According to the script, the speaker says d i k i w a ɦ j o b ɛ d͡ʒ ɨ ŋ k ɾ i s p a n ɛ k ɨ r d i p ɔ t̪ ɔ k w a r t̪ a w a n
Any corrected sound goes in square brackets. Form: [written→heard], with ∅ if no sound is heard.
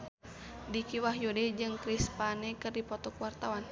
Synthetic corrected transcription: d i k i w a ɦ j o [b→d] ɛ d͡ʒ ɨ ŋ k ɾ i s p a n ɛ k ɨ r d i p ɔ t̪ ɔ k w a r t̪ a w a n